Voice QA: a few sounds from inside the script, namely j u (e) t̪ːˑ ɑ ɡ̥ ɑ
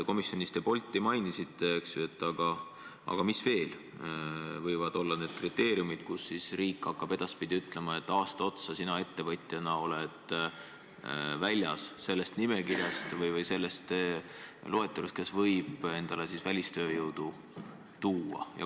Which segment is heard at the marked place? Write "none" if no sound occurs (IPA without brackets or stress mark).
e